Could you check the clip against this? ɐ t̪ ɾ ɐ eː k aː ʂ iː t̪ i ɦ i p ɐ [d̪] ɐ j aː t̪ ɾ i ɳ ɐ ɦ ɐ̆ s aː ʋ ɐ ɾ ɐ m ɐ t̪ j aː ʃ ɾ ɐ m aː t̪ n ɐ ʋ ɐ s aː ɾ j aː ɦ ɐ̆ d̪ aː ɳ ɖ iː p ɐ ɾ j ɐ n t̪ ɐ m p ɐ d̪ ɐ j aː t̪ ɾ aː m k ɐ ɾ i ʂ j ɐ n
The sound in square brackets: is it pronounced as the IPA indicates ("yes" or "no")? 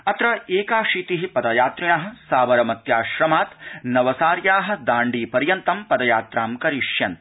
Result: yes